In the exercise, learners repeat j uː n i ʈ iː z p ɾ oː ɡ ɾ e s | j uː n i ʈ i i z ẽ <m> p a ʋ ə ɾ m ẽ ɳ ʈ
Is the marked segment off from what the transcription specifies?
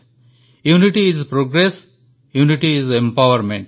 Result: no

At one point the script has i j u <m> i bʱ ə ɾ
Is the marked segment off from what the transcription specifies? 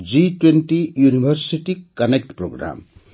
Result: yes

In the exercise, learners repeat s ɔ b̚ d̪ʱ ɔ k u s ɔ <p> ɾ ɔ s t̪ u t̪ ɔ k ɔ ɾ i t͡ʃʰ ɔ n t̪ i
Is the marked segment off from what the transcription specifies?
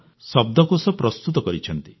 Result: no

